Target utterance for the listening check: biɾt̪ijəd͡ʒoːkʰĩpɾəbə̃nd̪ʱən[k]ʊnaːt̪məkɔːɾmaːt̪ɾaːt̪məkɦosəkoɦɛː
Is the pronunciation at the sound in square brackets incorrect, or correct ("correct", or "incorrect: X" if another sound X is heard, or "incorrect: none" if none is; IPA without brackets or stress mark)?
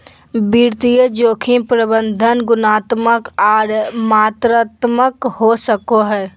incorrect: ɡ